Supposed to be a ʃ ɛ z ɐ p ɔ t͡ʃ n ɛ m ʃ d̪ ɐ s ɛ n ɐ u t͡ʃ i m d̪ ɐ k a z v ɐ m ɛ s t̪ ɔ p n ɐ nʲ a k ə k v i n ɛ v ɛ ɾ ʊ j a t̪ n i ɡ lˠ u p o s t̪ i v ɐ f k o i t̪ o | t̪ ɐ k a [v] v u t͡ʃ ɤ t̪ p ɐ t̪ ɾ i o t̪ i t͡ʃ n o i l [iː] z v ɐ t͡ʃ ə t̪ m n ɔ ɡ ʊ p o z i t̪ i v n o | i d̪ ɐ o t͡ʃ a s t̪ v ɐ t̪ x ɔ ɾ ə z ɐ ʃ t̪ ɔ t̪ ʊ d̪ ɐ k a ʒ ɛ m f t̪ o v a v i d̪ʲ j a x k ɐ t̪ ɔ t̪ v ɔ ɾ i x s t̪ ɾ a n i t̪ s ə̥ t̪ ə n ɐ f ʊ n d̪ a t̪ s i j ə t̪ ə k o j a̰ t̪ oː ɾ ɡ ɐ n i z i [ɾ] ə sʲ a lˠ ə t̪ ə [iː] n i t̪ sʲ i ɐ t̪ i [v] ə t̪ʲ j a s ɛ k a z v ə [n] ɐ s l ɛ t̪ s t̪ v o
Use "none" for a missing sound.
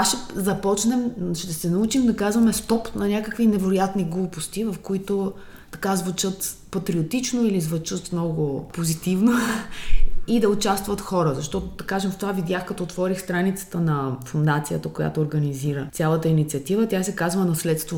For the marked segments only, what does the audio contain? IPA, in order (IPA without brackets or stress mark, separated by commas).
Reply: z, i, ɾ, i, v, n